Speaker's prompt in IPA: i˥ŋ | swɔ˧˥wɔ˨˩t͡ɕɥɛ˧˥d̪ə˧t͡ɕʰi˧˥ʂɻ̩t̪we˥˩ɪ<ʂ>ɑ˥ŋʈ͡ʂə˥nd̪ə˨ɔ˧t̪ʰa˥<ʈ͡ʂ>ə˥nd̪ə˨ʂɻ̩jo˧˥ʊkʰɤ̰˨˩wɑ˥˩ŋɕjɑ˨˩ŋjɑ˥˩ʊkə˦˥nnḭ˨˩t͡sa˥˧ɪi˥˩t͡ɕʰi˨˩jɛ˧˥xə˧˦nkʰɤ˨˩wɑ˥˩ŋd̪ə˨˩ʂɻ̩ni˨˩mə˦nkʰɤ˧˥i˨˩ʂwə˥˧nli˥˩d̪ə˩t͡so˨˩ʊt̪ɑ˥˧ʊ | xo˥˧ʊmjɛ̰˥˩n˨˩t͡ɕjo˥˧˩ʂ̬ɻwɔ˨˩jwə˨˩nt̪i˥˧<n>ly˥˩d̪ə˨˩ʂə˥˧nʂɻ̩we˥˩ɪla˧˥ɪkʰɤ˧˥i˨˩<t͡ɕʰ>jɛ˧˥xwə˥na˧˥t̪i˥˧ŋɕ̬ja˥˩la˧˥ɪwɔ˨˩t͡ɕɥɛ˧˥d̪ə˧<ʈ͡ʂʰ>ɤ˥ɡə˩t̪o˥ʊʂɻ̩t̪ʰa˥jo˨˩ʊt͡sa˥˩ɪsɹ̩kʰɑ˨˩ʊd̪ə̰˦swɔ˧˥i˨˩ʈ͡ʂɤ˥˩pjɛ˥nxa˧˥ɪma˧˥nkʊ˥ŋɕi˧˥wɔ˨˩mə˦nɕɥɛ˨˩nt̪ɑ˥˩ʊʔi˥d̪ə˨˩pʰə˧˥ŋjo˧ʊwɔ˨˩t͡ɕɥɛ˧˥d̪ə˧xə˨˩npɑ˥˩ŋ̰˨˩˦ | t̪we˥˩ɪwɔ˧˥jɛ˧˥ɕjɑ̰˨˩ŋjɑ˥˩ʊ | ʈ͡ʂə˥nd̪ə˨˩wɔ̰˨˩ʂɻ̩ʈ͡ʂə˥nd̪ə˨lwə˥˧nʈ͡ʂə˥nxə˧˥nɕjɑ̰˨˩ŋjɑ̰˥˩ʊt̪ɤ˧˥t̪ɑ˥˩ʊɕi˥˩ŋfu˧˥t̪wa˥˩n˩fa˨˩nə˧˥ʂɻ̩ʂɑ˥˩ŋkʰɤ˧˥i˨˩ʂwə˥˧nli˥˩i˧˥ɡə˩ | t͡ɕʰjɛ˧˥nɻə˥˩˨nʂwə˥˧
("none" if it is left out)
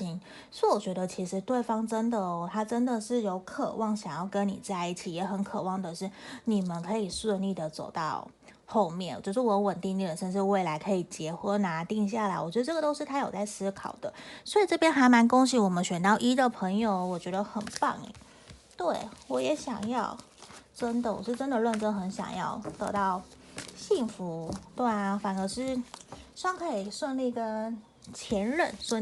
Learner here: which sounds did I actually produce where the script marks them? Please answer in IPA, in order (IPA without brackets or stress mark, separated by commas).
f, ʈ͡ʂ, ŋ, t͡ɕ, ʈ͡ʂ